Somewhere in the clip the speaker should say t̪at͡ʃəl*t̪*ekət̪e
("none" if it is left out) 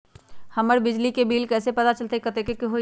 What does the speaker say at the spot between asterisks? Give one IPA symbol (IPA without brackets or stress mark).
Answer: t̪